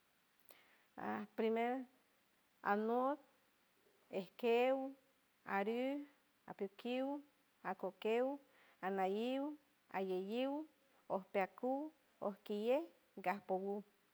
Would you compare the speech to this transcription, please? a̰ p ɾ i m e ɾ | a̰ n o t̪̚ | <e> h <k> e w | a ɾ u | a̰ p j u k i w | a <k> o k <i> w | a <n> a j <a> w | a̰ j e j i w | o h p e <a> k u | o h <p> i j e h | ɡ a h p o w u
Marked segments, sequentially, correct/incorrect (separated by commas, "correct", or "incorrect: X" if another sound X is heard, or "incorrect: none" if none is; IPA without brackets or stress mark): correct, correct, correct, incorrect: e, correct, incorrect: i, correct, incorrect: k